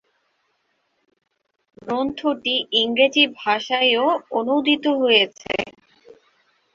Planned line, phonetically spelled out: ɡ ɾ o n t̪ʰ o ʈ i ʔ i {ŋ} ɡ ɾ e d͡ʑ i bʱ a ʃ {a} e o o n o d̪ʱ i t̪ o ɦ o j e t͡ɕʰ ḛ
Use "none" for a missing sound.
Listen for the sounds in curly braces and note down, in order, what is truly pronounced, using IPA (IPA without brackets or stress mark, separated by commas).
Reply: ŋ, a